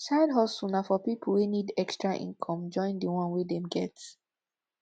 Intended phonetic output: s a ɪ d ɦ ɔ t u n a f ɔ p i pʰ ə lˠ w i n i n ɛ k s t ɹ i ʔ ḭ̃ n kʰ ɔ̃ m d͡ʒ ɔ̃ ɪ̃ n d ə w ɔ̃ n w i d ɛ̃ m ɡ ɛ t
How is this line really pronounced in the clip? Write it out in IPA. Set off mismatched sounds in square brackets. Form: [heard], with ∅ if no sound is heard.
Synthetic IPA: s a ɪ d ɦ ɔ [s] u n a f ɔ p i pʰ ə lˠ w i n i [d] ɛ k s t ɹ [a] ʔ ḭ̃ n kʰ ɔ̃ m d͡ʒ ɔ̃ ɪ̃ n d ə w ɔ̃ n w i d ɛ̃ m ɡ ɛ t